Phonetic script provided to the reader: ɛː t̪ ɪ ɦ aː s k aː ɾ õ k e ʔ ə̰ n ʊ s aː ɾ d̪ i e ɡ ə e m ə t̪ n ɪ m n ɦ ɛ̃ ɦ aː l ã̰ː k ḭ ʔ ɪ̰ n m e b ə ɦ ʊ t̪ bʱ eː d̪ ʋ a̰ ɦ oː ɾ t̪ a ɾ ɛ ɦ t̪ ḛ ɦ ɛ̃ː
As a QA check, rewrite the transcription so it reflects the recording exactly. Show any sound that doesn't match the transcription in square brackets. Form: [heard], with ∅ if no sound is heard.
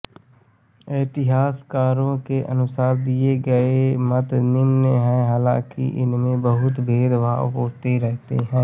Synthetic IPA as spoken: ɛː t̪ ɪ ɦ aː s k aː ɾ õ k e ʔ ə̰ n ʊ s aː ɾ d̪ i e ɡ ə e m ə t̪ n ɪ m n ɦ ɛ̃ ɦ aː l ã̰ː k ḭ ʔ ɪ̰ n m [ẽ] b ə ɦ ʊ t̪ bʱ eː d̪ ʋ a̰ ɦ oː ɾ t̪ [e] ɾ ɛ ɦ t̪ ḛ ɦ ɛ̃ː